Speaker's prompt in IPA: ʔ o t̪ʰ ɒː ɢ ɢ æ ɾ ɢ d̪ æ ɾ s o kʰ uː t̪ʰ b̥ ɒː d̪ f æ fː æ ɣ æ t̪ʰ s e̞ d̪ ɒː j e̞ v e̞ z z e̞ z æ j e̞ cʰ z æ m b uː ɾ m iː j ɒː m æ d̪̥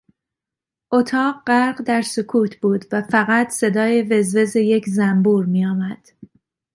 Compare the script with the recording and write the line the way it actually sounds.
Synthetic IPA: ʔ o t̪ʰ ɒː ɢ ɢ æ ɾ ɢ d̪ æ ɾ s o kʰ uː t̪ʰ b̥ uː d̪ v æ f æ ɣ æ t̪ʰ s e̞ d̪ ɒː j e̞ v e̞ z v e̞ z e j e̞ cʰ z æ m b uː ɾ m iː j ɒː m æ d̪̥

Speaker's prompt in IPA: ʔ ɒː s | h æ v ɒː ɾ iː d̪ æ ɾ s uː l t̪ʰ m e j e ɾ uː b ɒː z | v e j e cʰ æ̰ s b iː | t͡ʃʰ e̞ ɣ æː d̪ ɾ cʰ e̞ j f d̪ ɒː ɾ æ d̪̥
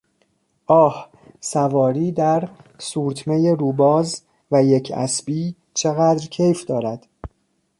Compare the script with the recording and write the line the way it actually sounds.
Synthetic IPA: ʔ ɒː h | s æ v ɒː ɾ iː d̪ æ ɾ s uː ɾ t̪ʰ m e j e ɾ uː b ɒː z | v æ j e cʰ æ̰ s b iː | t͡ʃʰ e̞ ɣ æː d̪ ɾ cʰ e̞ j f d̪ ɒː ɾ æ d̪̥

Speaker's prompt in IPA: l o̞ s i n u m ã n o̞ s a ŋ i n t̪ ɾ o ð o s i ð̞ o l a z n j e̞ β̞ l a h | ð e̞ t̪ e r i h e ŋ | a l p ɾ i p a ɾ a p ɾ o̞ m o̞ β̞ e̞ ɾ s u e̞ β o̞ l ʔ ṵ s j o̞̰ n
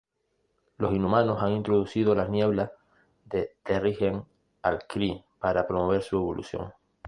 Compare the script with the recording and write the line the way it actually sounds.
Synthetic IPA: l o̞ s i n u m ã n o̞ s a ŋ i n t̪ ɾ o ð u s i ð̞ o l a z n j e̞ β̞ l a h | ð e̞ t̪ e r i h e ŋ | a l k ɾ i p a ɾ a p ɾ o̞ m o̞ β̞ e̞ ɾ s u e̞ β o̞ l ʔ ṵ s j o̞̰ ŋ

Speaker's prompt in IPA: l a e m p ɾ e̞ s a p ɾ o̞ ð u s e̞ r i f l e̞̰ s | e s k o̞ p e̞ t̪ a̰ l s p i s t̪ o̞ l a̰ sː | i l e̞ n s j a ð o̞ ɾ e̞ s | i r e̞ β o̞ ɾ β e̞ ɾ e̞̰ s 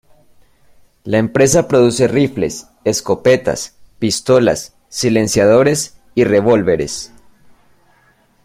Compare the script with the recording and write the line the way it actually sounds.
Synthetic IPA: l a e m p ɾ e̞ s a p ɾ o̞ ð u s e̞ r i f l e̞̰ s | e s k o̞ p e̞ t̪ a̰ s p i s t̪ o̞ l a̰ sː | i l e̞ n s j a ð o̞ ɾ e̞ s | i r e̞ β o̞ l β e̞ ɾ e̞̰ s

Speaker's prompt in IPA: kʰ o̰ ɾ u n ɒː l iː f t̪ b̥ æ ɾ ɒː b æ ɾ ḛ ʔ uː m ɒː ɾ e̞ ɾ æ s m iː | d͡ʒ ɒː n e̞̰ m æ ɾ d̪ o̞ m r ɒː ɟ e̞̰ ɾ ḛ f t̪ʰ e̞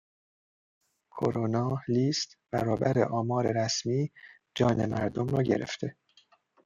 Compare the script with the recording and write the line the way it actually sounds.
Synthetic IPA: kʰ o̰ ɾ o n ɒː l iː s t̪ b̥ æ ɾ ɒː b æ ɾ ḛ ʔ ɒː m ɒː ɾ e̞ ɾ æ s m iː | d͡ʒ ɒː n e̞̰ m æ ɾ d̪ o̞ m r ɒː ɟ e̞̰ ɾ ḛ f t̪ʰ e̞

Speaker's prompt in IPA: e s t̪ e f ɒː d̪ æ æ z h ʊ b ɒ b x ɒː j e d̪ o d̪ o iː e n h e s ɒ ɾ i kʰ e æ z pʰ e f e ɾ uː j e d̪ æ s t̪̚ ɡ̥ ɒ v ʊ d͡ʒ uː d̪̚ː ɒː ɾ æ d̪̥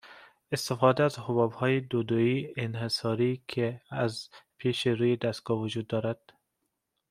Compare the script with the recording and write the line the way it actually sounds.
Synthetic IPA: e s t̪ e f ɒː d̪ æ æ z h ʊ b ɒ b h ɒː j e d̪ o d̪ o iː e n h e s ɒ ɾ i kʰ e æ z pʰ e ʃ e ɾ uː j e d̪ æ s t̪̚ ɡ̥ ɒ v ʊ d͡ʒ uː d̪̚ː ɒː ɾ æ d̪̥

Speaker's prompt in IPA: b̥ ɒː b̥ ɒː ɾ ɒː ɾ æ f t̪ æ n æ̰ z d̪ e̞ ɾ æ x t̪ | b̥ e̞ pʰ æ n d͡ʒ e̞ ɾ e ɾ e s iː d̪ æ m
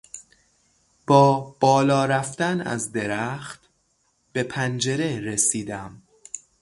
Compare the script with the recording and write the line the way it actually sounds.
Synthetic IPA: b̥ ɒː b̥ ɒː l ɒː ɾ æ f t̪ æ n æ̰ z d̪ e̞ ɾ æ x t̪ | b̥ e̞ pʰ æ n d͡ʒ e̞ ɾ e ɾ e s iː d̪ æ m

